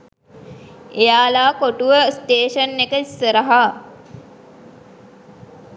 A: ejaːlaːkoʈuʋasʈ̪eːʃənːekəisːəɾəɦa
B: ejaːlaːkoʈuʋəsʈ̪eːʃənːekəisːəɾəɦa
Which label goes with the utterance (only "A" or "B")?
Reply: B